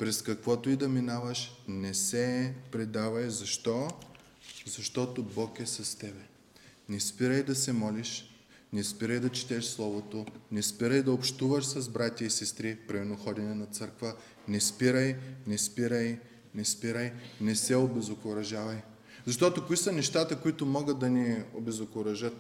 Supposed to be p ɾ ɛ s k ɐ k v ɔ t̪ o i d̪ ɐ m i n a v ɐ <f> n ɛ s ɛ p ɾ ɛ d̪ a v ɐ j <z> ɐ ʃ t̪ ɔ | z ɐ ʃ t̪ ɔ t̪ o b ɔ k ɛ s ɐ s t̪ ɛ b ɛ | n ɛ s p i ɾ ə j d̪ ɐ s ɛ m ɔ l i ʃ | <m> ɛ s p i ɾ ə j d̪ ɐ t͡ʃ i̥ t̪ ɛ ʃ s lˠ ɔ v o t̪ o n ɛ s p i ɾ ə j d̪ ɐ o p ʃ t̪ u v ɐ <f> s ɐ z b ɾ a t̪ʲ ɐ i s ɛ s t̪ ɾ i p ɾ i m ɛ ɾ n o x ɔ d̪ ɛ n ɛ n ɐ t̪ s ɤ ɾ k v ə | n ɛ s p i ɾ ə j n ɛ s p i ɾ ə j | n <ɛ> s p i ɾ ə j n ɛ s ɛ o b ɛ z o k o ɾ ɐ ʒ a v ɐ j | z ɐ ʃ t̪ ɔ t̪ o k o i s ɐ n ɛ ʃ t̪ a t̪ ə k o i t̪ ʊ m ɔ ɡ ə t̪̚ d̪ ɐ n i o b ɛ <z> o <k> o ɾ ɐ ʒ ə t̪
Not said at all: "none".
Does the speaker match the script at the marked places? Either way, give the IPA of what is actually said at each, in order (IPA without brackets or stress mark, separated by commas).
ʃ, z, n, ʃ, ɛ, z, k